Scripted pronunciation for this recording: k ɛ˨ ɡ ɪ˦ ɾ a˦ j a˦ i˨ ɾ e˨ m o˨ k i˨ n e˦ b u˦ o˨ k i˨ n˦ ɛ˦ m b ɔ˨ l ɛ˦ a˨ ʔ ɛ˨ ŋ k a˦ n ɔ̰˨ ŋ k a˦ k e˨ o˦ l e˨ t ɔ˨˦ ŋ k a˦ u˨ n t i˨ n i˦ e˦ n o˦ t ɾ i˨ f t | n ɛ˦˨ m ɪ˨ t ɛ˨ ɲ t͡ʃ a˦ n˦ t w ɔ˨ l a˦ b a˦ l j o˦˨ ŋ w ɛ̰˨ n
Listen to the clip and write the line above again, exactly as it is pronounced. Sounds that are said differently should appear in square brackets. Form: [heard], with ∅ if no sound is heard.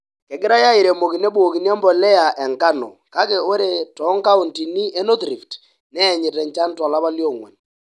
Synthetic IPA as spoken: k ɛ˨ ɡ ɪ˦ ɾ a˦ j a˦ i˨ ɾ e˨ m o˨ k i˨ n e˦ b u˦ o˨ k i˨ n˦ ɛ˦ m b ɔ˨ l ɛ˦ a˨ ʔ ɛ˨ ŋ k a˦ n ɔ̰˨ [∅] k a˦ k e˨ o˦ [ɾ] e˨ t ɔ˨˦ ŋ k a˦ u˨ n t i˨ n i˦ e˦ n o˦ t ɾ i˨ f t | n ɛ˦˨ [ɲ] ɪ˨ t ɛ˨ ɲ t͡ʃ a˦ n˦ t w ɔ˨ l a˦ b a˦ l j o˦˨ ŋ w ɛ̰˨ n